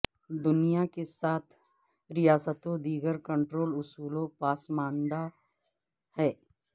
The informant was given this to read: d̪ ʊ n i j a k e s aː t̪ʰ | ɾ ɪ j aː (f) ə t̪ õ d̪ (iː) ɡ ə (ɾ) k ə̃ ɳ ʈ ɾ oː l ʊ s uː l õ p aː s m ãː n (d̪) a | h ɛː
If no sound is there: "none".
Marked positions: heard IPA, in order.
s, iː, ɾ, d̪

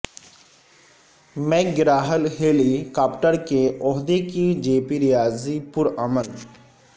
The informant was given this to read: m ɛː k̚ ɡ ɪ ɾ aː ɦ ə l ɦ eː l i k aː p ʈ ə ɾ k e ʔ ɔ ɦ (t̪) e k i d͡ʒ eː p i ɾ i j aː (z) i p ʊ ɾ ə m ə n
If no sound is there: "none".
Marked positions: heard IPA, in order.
d̪, z

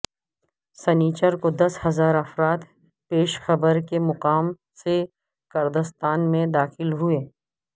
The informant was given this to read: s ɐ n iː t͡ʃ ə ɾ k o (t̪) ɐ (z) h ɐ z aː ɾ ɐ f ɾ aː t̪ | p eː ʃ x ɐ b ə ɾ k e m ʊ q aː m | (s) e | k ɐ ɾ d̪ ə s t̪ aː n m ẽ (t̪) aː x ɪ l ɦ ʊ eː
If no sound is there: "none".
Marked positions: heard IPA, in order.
d̪, s, s, d̪

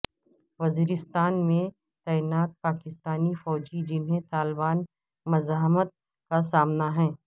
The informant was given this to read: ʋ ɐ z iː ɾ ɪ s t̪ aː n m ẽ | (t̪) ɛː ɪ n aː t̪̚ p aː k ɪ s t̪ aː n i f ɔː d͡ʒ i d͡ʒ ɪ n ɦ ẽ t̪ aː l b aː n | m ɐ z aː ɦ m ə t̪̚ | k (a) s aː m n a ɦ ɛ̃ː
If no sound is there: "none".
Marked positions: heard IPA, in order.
t̪, a

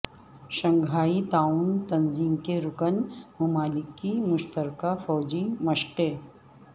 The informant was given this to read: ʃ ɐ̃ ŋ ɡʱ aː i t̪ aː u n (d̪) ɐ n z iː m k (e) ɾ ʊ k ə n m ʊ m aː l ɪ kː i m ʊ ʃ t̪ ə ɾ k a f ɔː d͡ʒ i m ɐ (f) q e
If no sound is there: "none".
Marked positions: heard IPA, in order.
t̪, e, ʃ

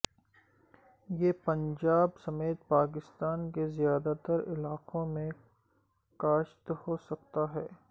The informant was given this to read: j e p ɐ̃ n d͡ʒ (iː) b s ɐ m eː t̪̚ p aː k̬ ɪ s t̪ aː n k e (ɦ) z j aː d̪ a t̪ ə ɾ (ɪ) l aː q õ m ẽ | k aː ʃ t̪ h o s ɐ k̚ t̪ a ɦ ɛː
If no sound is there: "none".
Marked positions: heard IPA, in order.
aː, none, ɪ

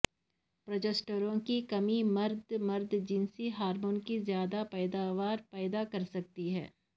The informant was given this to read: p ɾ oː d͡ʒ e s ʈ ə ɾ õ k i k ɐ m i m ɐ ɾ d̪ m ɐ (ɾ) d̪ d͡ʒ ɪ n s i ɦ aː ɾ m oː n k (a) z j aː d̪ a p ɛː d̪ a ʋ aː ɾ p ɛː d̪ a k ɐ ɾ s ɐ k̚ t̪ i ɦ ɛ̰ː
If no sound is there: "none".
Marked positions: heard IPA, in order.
ɾ, i

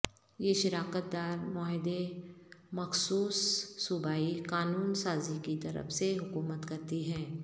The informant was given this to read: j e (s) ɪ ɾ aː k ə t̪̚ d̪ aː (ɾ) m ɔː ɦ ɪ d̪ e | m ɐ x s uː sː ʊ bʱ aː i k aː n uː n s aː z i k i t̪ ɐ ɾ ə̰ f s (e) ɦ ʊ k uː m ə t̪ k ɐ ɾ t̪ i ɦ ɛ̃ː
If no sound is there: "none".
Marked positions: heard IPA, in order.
ʃ, ɾ, e

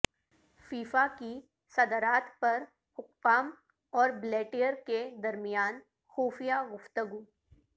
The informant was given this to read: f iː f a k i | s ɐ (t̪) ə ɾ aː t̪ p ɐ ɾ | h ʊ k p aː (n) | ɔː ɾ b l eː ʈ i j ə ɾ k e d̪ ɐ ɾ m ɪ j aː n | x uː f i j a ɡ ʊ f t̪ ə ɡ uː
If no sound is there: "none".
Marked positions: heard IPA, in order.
d̪, m

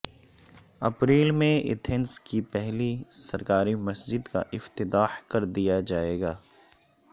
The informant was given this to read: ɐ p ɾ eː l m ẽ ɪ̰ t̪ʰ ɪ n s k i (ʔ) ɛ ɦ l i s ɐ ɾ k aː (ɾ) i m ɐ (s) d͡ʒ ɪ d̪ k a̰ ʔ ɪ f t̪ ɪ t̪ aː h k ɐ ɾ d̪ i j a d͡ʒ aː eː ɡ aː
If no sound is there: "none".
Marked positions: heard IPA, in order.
p, ɾ, s

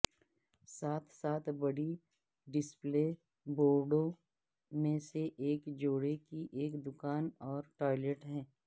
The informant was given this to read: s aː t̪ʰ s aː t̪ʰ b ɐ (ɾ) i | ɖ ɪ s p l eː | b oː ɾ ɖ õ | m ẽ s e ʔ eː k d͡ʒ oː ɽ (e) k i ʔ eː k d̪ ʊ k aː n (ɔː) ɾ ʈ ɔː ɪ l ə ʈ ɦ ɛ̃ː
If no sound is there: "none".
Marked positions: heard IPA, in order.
ɽ, e, ɔː

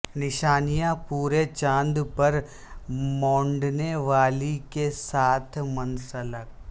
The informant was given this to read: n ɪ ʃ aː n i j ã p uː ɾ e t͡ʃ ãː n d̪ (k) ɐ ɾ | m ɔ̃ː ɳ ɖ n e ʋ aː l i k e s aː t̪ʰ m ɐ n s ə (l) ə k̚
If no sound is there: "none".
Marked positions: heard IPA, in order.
p, l

